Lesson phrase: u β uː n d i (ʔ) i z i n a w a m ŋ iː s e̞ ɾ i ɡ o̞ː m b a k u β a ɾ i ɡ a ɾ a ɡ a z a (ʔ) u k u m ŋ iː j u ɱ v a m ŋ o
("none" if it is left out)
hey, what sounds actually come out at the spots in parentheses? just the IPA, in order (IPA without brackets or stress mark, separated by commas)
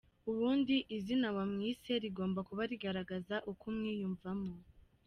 ʔ, ʔ